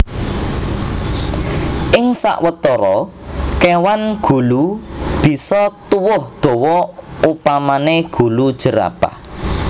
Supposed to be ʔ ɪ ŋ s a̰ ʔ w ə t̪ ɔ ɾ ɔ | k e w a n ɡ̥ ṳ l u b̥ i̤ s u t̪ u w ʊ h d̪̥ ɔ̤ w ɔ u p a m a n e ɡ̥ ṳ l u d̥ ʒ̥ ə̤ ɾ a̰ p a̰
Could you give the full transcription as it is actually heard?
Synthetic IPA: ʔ ɪ ŋ s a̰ ʔ w ə t̪ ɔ ɾ ɔ | k e w a n ɡ̥ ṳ l u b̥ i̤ s ɔ t̪ u w ʊ h d̪̥ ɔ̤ w ɔ u p a m a n e ɡ̥ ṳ l u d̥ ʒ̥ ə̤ ɾ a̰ p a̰

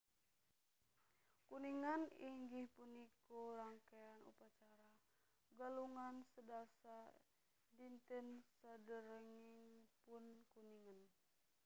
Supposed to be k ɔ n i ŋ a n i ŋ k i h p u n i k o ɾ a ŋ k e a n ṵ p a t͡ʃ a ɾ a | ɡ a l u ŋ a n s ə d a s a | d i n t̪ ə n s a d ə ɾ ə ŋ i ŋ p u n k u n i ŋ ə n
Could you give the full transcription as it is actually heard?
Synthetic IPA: k u n i ŋ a n i ŋ ɡ i h p u n i k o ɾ a ŋ k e a n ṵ p a t͡ʃ a ɾ a | ɡ a l u ŋ a n s ə d a s a | d i n t̪ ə n s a d ə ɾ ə ŋ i ŋ p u n k u n i ŋ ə n

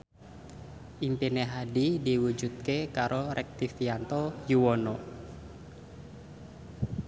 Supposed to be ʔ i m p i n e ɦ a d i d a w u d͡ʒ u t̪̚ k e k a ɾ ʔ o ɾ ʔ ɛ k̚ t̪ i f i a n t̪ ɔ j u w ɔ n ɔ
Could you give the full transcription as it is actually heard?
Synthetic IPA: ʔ i m p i n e ɦ a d i d i w u d͡ʒ u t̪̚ k e k a ɾ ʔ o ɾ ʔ ɛ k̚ t̪ i f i a n t̪ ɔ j u w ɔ n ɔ

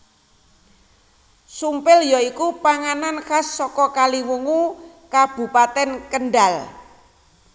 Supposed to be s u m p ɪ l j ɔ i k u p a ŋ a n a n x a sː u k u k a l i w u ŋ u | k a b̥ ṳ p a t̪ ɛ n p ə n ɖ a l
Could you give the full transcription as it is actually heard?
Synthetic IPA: s u m p ɪ l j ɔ i k u p a ŋ a n a n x a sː ɔ k ɔ k a l i w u ŋ u | k a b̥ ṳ p a t̪ ɛ n k ə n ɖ a l

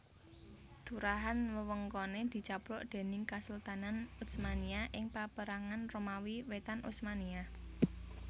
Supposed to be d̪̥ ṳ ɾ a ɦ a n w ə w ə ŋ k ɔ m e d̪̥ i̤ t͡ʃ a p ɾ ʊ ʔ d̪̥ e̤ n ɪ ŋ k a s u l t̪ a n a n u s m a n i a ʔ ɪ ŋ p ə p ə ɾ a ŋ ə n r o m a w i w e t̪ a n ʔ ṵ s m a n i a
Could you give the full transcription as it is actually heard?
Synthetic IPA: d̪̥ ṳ ɾ a ɦ a n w ə w ə ŋ k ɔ n e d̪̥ i̤ t͡ʃ a p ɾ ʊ ʔ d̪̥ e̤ n ɪ ŋ k a s u l t̪ a n a n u s m a n i a ʔ ɪ ŋ p a p ə ɾ a ŋ a n r o m a w i w e t̪ a n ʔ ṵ s m a n i a

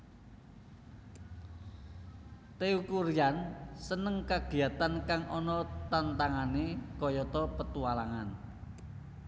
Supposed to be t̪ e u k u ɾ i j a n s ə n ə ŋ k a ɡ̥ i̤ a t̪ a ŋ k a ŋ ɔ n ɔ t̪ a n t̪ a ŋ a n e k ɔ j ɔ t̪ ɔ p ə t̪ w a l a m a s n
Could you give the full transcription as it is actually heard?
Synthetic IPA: t̪ e u k u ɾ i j a n s ə n ə ŋ k a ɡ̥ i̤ a t̪ a n k a ŋ ɔ n ɔ t̪ a n t̪ a ŋ a n e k ɔ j ɔ t̪ ɔ p ə t̪ u a l a ŋ a n

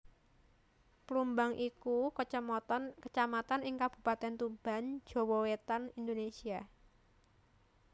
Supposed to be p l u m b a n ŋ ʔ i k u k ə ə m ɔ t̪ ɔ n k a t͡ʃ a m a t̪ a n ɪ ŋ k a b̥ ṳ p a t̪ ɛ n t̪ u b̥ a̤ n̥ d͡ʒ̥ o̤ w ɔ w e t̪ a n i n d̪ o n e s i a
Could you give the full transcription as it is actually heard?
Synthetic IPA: p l u m b a ŋ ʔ i k u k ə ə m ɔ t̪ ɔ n k ə t͡ʃ a m a t̪ a n ɪ ŋ k a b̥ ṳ p a t̪ ɛ n t̪ u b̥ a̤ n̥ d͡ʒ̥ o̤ w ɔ w e t̪ a n i n d̪ o n e s i a

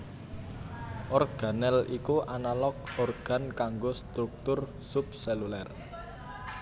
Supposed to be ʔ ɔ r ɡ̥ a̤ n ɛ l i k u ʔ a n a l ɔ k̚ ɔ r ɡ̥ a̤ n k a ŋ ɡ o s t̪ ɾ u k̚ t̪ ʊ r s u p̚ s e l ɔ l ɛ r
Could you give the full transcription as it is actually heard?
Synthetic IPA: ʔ ɔ r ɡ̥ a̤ n ɛ l i k u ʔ a n a l ɔ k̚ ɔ r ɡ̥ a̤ n k a ŋ ɡ o s t̪ ɾ u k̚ t̪ ʊ r s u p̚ s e l u l ɛ r

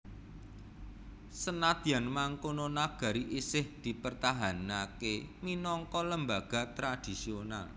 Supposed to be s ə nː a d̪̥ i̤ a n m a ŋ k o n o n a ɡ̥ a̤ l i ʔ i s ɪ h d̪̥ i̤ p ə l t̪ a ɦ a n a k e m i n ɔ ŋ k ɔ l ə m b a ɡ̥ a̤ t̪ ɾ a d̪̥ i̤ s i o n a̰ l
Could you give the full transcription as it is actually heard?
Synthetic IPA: s ə n a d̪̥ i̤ a n m a ŋ k o n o n a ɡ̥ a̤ ɾ i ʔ i s ɪ h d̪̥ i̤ p ə r t̪ a ɦ a n a k e m i n ɔ ŋ k ɔ l ə m b a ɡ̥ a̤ t̪ ɾ a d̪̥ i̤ s i o n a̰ l

